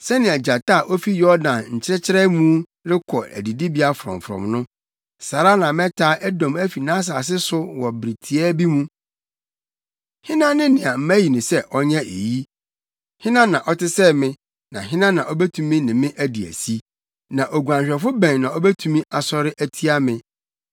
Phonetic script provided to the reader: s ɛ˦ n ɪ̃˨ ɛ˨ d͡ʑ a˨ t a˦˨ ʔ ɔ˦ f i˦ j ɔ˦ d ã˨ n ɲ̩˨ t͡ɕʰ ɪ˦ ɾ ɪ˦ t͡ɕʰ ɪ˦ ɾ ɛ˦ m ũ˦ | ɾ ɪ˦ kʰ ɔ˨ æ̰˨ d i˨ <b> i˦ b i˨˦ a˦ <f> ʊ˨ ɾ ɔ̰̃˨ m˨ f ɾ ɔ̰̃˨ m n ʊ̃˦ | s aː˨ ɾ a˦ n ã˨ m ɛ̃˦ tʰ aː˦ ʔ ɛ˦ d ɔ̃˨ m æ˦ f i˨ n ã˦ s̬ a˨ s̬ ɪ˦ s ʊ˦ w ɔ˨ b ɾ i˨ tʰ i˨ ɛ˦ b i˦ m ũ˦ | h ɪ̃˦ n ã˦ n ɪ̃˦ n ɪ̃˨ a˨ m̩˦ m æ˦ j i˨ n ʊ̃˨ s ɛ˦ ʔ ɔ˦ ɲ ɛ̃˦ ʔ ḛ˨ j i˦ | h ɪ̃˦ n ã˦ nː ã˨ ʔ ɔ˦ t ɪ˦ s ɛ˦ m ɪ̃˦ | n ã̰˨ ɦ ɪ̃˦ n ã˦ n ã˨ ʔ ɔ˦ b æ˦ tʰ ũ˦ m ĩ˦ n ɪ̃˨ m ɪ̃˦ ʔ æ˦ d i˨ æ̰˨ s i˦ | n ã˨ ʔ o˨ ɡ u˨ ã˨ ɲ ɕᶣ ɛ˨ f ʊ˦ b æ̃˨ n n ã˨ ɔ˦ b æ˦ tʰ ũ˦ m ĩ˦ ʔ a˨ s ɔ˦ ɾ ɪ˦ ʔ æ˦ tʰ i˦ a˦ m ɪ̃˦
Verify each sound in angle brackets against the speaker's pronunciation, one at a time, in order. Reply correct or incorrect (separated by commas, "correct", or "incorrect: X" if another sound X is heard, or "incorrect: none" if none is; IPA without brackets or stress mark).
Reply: incorrect: d, correct